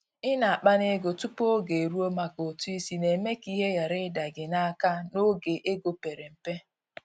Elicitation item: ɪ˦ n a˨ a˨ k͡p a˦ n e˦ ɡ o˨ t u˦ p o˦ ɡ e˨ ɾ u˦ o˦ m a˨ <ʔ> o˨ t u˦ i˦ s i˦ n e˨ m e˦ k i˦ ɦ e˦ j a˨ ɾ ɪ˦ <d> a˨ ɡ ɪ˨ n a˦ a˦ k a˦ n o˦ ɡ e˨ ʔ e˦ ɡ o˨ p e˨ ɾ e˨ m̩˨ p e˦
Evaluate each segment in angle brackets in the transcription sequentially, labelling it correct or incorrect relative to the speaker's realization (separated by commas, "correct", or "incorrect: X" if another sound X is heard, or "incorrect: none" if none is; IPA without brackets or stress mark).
incorrect: k, correct